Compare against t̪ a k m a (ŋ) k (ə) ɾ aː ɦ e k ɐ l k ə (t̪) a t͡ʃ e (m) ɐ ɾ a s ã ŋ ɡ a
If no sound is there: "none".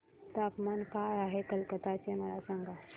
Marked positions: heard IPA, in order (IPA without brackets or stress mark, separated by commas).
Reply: n, a, t̪, m